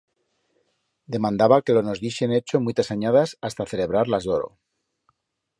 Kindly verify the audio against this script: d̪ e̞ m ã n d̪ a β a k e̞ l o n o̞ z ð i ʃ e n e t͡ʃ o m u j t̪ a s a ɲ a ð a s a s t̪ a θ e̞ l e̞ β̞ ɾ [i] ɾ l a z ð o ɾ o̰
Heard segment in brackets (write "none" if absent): a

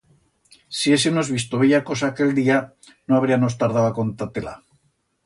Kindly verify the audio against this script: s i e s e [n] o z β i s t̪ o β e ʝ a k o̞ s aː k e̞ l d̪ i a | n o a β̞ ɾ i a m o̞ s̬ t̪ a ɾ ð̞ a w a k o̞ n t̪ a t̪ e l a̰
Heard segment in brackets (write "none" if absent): n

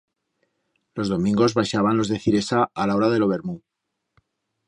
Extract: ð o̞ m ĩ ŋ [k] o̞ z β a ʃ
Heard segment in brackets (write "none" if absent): ɡ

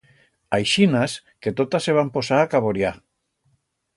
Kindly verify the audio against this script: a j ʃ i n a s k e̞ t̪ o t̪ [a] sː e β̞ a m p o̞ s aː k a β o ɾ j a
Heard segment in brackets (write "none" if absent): a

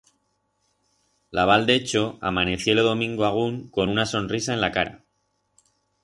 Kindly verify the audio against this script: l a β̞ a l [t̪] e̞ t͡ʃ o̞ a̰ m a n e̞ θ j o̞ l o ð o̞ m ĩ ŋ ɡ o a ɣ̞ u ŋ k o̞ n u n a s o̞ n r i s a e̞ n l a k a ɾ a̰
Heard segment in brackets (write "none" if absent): d̪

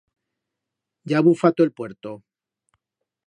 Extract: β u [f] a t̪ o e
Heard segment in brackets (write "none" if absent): f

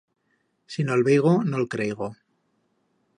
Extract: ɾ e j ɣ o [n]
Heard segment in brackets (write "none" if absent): none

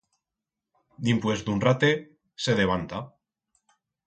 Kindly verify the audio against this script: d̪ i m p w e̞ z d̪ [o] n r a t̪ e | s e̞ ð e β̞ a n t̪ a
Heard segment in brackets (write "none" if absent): u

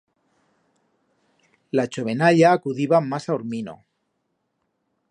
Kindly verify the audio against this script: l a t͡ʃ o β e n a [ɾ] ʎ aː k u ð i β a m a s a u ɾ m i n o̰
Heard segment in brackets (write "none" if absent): none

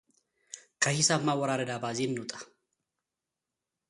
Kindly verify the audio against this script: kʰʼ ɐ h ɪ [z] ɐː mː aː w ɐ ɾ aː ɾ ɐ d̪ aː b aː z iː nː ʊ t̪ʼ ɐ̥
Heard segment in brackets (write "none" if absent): s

